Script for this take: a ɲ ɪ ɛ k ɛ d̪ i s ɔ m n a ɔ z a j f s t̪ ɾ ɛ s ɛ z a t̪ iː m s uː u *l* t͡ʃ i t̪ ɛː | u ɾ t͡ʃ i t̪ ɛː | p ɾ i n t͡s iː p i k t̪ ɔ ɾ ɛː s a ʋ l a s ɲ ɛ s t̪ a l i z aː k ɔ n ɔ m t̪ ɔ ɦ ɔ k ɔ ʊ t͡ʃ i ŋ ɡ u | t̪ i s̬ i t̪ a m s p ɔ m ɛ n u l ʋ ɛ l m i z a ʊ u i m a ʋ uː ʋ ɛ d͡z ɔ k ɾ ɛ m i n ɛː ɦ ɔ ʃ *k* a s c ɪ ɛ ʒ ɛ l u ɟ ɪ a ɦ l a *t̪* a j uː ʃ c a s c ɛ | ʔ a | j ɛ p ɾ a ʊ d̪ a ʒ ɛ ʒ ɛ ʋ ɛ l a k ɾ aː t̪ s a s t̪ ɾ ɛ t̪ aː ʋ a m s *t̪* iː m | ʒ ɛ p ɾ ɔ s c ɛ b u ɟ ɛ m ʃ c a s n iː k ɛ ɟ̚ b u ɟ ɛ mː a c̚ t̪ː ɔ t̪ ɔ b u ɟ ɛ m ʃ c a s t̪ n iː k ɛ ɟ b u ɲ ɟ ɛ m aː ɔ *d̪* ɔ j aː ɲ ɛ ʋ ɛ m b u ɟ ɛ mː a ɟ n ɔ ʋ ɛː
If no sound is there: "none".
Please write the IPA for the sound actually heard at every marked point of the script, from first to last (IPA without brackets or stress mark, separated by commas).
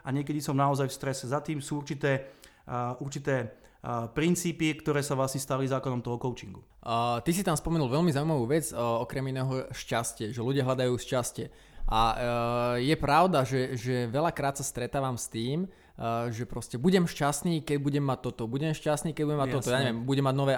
ɾ, c, d̪, t̪, t̪